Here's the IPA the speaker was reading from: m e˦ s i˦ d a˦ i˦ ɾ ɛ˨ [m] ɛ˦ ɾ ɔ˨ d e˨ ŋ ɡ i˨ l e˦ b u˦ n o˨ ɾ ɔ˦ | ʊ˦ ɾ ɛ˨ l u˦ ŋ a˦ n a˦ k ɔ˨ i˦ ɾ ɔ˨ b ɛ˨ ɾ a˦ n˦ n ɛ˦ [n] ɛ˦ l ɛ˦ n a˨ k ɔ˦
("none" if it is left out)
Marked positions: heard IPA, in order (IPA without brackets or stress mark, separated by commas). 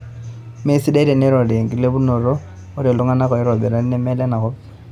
n, m